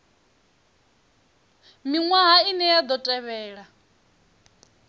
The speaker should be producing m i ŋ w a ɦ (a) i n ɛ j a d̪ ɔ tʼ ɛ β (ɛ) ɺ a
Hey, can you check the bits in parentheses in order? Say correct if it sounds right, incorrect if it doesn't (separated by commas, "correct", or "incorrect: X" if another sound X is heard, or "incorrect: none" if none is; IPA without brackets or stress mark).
correct, incorrect: ɛː